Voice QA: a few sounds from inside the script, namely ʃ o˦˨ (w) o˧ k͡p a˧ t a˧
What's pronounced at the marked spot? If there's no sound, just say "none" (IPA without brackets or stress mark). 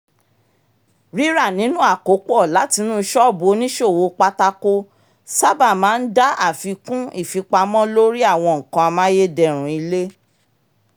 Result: w